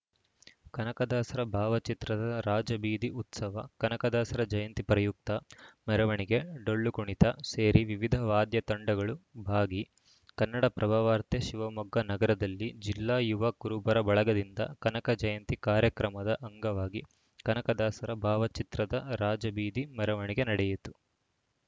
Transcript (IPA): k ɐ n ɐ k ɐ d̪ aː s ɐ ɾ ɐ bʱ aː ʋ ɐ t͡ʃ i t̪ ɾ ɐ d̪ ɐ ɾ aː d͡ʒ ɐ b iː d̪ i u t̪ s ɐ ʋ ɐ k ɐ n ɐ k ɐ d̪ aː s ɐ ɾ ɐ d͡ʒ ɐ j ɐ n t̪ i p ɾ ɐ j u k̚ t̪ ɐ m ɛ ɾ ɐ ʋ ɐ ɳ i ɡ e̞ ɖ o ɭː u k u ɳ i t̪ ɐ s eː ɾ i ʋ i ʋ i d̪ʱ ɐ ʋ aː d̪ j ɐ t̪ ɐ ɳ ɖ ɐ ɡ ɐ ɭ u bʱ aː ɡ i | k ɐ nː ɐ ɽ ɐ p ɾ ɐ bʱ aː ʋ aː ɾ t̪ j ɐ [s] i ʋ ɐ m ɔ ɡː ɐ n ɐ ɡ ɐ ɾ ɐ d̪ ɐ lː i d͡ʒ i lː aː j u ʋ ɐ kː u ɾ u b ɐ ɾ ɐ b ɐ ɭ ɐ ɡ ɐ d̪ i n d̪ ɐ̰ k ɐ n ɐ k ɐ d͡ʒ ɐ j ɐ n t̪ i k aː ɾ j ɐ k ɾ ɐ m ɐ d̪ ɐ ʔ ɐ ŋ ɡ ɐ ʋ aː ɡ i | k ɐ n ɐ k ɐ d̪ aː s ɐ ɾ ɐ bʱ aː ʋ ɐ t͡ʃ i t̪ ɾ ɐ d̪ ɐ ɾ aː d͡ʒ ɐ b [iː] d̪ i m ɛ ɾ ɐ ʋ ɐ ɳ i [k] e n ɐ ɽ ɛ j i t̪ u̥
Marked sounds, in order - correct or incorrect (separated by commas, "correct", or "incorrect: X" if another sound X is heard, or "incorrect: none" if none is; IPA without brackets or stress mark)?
incorrect: ʃ, correct, incorrect: ɡ